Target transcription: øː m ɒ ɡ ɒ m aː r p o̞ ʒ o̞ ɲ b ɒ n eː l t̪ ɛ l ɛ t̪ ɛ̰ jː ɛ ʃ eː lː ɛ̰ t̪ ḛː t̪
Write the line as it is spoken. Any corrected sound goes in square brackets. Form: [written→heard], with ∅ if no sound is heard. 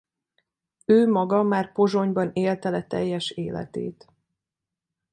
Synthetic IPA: øː m ɒ ɡ ɒ m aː r p o̞ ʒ o̞ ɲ b ɒ n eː l t̪ ɛ l ɛ t̪ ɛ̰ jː ɛ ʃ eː [lː→l] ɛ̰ t̪ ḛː t̪